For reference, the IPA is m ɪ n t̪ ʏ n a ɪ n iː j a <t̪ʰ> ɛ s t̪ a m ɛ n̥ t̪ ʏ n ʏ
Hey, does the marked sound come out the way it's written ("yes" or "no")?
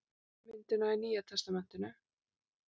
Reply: yes